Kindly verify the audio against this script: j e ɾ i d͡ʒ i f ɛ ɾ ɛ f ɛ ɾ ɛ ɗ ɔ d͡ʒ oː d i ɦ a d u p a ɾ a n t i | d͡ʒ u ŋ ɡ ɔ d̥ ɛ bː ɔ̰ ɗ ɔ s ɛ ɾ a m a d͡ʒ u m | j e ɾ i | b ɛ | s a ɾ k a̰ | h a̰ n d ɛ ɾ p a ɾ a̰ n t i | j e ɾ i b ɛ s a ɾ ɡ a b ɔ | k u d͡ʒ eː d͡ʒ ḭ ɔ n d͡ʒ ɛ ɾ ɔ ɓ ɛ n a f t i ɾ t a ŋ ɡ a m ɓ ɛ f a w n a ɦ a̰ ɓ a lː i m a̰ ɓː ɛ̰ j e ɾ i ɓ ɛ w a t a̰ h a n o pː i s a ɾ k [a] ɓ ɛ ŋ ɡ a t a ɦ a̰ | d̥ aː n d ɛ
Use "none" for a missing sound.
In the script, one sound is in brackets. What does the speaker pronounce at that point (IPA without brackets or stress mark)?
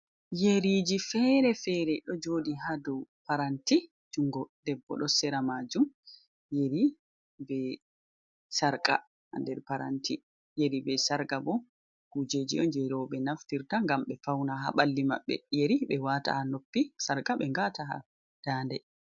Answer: a